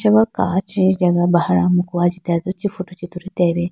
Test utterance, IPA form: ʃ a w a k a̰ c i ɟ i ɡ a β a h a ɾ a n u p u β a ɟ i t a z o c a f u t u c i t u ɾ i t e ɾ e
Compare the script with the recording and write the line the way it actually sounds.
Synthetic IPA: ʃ a β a k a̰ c i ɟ a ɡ a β a h a ɾ a m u k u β a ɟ i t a z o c i f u t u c i t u ɾ i t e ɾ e

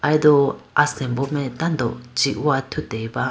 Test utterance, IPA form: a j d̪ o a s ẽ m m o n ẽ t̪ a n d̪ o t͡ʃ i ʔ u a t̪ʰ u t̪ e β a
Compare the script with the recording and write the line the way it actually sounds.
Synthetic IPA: a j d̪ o a s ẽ m b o m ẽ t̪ a n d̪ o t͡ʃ i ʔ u a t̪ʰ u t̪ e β a

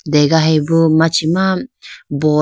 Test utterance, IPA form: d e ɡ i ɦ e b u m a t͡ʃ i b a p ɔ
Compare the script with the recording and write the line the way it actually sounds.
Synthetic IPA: d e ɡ a ɦ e b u m a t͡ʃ i m a b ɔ

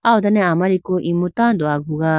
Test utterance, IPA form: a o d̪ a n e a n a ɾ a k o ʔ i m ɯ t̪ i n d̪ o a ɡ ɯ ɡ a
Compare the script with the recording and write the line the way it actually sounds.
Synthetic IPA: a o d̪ a n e a m a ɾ i k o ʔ i m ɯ t̪ a n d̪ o a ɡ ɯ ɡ a

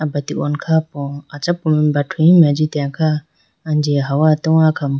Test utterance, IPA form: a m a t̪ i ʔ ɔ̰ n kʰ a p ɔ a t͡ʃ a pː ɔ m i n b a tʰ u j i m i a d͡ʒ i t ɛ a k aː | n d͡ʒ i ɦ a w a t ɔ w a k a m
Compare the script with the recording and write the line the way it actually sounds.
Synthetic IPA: a b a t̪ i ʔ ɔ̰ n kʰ a p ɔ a t͡ʃ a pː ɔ m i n b a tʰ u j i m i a d͡ʒ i t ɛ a k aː | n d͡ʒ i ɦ a w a t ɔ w a k a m

